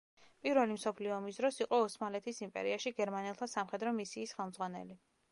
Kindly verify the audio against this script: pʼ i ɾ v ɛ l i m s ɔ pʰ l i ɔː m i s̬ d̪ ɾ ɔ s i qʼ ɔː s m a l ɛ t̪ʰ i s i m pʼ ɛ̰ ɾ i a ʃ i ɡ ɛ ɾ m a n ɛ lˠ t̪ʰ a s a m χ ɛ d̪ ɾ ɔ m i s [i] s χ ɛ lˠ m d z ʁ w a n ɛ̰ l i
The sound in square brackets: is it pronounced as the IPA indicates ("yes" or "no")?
no